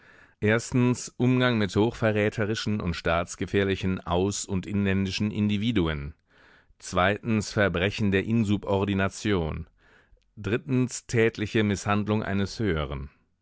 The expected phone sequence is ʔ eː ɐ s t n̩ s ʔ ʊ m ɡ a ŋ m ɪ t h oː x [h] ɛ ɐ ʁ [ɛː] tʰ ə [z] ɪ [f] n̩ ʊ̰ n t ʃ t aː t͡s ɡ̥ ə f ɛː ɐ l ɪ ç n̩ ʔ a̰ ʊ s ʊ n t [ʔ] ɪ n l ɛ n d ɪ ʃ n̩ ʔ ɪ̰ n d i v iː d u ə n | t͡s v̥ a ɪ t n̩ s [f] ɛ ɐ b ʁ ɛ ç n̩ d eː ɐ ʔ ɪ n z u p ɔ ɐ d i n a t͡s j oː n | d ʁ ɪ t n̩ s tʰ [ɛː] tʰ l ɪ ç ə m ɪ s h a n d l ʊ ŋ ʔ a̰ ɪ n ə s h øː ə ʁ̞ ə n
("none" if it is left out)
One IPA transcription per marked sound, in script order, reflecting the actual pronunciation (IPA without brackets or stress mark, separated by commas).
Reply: f, ɛː, ʁ, ʃ, ʔ, f, ɛː